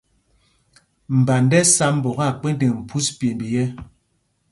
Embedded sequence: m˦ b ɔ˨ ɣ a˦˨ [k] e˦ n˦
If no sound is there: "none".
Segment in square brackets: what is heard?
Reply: k͡p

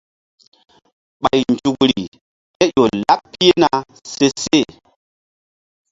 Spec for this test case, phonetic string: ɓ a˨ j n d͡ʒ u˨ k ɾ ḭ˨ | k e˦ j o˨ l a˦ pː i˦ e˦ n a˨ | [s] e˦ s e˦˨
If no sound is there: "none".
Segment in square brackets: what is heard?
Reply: s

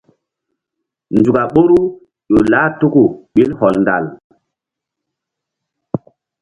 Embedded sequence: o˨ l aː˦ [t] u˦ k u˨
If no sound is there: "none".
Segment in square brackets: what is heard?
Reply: t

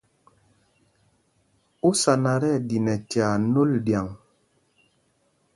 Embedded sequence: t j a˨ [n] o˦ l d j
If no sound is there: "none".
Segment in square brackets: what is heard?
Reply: n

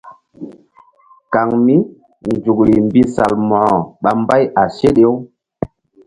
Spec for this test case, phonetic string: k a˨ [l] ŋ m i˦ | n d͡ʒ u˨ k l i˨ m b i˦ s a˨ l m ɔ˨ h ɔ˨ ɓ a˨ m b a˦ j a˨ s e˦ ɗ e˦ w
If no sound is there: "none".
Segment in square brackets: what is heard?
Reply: none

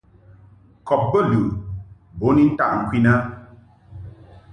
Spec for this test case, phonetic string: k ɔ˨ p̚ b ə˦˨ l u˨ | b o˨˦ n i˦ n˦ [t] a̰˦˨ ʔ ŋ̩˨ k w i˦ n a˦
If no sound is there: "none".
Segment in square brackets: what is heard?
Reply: t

